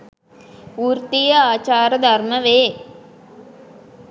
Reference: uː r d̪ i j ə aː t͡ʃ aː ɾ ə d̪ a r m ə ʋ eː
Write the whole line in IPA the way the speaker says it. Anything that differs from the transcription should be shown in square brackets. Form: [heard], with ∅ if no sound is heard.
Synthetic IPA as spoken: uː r [t̪] i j ə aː t͡ʃ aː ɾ ə d̪ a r m ə ʋ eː